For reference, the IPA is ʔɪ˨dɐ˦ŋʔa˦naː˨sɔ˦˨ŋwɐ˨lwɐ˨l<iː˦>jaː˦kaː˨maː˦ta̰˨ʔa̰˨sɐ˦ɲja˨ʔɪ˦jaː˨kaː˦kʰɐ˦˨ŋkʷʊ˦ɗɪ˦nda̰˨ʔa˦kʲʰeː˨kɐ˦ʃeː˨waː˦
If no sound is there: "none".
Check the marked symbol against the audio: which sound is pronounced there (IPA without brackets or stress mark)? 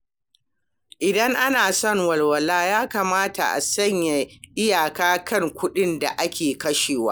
aː˦